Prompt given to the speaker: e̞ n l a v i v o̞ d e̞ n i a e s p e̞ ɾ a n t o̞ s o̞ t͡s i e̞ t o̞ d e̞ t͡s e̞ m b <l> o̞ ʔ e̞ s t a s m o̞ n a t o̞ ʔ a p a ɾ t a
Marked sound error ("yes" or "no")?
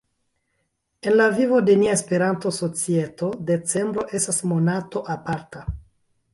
yes